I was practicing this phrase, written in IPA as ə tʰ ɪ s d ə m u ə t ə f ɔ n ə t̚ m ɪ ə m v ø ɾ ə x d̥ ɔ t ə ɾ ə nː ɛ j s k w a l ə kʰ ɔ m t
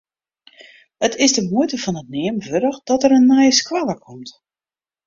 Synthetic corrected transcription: ə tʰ ɪ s d ə m u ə t ə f ɔ n ə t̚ n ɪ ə m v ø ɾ ə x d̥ ɔ t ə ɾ ə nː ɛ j s k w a l ə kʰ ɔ m t